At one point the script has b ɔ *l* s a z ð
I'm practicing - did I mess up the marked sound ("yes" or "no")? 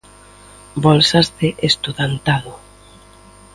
no